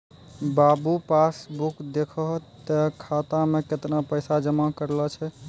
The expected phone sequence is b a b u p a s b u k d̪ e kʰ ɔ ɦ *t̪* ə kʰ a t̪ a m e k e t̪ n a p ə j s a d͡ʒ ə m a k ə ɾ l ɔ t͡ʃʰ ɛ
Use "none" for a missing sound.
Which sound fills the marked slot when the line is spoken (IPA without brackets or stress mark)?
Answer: t̪